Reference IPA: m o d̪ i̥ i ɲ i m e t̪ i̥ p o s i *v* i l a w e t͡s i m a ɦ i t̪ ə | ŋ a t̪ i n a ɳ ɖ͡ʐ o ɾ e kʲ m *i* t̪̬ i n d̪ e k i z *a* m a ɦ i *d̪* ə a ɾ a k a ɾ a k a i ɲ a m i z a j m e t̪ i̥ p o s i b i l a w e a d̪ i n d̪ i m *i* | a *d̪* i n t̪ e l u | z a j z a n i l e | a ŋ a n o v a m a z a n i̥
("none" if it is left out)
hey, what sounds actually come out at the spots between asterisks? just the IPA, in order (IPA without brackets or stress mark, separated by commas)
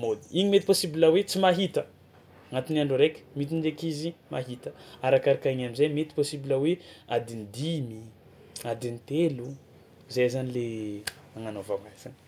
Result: b, i, i, t̪, i, d̪